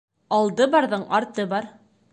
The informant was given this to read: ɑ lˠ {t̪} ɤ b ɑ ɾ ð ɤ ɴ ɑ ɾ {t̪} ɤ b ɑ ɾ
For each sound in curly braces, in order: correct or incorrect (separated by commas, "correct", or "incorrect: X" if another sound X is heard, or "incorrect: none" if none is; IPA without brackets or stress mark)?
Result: incorrect: d̪, correct